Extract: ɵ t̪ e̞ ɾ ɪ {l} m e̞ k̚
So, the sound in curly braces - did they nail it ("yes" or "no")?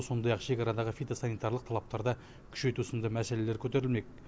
yes